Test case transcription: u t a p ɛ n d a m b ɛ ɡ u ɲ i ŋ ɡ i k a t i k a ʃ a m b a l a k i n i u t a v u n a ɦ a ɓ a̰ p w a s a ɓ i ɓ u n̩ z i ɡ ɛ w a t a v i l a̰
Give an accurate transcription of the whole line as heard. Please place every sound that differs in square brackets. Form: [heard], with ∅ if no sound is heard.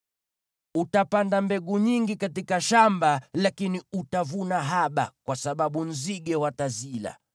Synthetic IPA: u t a p [a] n d a m b ɛ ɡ u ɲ i ŋ ɡ i k a t i k a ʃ a m b a l a k i n i u t a v u n a ɦ a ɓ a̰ [k] w a s a ɓ [a] ɓ u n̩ z i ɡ ɛ w a t a [z] i l a̰